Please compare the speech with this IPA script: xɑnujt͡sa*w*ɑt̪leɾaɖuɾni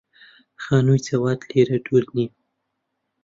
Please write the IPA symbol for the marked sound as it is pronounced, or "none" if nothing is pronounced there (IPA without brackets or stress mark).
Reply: w